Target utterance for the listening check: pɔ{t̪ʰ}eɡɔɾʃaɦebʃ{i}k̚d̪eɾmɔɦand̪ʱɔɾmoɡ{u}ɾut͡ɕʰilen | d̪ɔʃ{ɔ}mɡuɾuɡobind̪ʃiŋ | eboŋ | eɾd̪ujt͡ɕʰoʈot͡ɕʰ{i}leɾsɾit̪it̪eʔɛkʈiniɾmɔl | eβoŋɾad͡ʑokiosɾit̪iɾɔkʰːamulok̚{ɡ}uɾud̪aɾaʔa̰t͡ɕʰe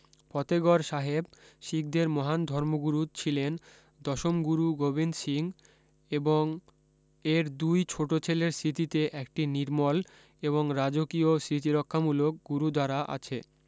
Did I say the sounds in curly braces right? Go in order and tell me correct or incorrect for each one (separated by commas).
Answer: incorrect, correct, correct, incorrect, incorrect, correct